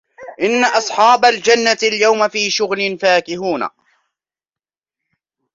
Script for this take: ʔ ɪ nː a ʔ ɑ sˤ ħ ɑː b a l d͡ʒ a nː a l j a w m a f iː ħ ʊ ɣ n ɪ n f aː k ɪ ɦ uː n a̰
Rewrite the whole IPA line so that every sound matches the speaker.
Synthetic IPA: ʔ ɪ nː a ʔ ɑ sˤ ħ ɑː b a l d͡ʒ a nː a l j a w m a f iː ʃ ʊ ɣ n ɪ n f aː k ɪ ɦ uː n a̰